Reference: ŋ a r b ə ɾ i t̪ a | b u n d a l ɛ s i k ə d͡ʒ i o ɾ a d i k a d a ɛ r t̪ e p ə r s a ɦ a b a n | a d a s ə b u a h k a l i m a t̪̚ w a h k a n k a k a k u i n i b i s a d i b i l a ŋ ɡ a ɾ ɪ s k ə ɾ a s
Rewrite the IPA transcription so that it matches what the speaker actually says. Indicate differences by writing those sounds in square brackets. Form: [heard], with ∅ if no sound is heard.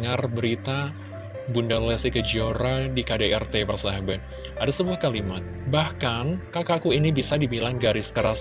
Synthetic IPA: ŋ a r b ə ɾ i t̪ a | b u n d a l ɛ s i k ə d͡ʒ i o ɾ a d i k a d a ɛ r t̪ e p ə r s a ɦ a b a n | a d a s ə b u a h k a l i m a t̪̚ [b] a h k a n k a k a k u i n i b i s a d i b i l a ŋ ɡ a ɾ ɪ s k ə ɾ a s